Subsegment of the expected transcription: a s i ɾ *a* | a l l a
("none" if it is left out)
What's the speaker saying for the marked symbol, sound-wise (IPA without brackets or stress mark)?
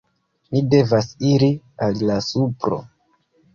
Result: i